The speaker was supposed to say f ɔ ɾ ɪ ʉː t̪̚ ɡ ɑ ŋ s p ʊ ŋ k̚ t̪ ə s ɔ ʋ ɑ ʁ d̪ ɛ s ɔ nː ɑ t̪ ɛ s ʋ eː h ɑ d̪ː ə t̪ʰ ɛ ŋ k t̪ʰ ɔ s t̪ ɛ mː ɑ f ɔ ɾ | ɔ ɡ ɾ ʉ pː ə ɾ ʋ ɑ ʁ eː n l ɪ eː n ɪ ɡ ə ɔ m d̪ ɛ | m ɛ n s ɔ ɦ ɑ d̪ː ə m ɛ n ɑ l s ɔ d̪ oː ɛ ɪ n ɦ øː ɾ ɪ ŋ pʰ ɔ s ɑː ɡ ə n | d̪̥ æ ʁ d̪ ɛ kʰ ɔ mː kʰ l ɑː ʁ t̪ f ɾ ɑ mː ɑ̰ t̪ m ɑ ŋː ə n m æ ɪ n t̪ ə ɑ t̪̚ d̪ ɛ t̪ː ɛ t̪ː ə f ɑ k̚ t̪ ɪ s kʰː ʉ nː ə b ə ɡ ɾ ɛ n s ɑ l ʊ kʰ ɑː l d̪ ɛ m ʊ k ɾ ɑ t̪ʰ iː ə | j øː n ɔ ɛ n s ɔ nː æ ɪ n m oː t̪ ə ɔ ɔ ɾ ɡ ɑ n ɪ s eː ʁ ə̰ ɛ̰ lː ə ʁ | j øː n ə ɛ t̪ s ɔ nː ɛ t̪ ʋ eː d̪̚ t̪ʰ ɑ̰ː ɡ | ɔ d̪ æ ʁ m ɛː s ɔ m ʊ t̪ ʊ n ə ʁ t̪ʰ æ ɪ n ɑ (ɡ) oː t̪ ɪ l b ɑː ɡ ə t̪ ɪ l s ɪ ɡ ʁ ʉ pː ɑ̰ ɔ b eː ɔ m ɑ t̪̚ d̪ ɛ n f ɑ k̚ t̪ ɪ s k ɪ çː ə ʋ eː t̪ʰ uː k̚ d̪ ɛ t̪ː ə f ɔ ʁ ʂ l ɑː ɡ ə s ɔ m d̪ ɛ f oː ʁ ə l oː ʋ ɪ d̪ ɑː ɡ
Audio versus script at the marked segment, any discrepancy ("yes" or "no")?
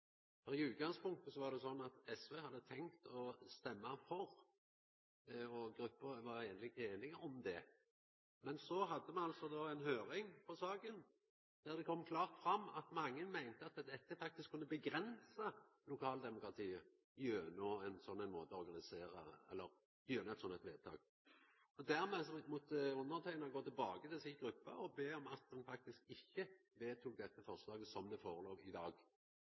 no